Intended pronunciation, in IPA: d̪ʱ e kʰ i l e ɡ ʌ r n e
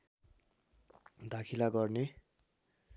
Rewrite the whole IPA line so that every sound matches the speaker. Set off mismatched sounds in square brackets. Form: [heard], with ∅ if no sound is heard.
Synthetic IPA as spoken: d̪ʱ [a] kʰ i l [a] ɡ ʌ r n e